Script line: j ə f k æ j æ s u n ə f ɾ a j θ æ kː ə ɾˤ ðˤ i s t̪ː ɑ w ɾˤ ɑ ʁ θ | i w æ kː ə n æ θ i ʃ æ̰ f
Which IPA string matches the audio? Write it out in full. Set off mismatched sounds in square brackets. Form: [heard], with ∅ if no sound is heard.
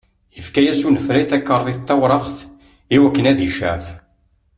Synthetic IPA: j ə f k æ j æ s u n ə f ɾ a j θ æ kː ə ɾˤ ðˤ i [θ] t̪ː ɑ w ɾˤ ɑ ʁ θ | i w æ kː ə n æ [ð] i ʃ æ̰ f